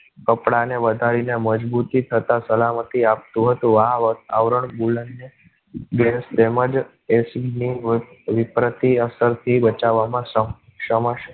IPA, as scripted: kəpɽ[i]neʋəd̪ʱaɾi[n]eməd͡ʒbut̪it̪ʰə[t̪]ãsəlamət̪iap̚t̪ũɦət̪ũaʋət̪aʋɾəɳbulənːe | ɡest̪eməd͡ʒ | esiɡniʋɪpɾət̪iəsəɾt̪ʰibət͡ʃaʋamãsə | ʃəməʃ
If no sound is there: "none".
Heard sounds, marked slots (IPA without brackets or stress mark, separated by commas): a, n, t̪